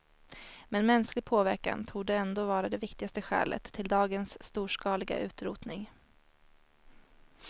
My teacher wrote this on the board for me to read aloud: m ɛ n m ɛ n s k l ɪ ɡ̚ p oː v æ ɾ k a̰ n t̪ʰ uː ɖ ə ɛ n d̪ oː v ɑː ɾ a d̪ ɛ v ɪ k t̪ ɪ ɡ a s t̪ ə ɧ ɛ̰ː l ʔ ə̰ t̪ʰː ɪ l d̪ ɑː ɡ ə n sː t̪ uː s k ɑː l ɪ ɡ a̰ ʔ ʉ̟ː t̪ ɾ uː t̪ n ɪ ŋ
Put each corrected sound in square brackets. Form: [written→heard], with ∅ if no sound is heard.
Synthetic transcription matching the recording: m ɛ n m ɛ n s k l ɪ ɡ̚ [p→pʰ] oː v æ ɾ k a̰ n t̪ʰ uː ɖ ə ɛ n d̪ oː v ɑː ɾ a d̪ ɛ v ɪ k t̪ ɪ ɡ a s t̪ ə ɧ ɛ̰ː l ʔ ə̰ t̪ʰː ɪ l d̪ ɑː ɡ ə n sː t̪ uː [s→ʂ] k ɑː l ɪ ɡ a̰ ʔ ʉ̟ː t̪ ɾ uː t̪ n ɪ ŋ

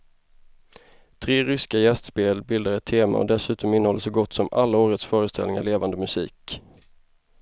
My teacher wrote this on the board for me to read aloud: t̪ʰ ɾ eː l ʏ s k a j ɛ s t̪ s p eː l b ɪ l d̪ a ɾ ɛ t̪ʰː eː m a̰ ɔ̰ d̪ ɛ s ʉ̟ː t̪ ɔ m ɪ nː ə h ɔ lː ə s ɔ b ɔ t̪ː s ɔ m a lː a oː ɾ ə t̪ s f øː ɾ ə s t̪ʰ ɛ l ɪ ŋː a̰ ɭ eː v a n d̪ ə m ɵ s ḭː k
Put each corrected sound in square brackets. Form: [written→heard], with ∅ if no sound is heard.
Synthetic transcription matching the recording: t̪ʰ ɾ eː [l→ɾ] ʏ s k a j ɛ s t̪ s p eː l b ɪ l d̪ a ɾ ɛ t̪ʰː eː m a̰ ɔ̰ d̪ ɛ s ʉ̟ː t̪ ɔ m ɪ nː ə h ɔ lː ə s ɔ [b→ɡ] ɔ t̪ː s ɔ m a lː a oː ɾ ə t̪ s f [øː→œː] ɾ ə s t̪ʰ ɛ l ɪ [ŋː→ŋ] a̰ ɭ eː v a n d̪ ə m ɵ s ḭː k

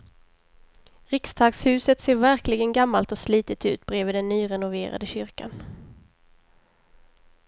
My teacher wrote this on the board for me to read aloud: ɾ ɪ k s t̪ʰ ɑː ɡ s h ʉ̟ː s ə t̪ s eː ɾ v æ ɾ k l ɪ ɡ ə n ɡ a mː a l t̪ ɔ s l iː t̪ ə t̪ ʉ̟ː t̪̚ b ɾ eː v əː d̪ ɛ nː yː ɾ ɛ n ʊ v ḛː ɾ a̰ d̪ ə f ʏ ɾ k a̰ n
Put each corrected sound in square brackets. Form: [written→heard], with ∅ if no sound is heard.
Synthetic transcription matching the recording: ɾ ɪ k s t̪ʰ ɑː ɡ s h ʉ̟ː s ə t̪ s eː ɾ v æ ɾ k l ɪ ɡ ə n ɡ a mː a l t̪ ɔ s l iː t̪ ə t̪ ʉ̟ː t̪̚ b ɾ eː v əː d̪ ɛ nː yː ɾ ɛ n ʊ v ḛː ɾ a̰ d̪ ə [f→ɕ] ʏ ɾ k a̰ n

